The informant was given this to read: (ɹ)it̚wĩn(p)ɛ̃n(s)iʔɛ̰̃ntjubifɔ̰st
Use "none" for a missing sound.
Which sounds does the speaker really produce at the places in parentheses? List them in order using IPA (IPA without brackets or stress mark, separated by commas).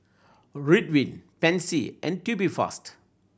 ɹ, p, s